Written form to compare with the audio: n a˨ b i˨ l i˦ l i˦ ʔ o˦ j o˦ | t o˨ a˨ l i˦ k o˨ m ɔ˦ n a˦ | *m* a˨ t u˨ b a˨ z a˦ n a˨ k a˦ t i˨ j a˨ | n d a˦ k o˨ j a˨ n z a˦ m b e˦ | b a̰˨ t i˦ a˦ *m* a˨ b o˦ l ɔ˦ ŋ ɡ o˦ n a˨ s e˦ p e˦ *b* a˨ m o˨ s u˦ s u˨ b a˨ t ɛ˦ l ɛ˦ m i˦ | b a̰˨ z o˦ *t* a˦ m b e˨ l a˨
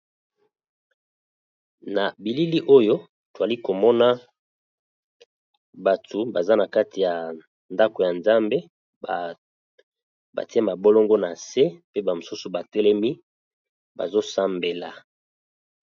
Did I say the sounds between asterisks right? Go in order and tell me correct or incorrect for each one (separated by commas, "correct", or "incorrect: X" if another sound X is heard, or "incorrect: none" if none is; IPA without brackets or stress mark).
incorrect: b, correct, correct, incorrect: s